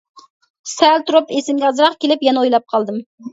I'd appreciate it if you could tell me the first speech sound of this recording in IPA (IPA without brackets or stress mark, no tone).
s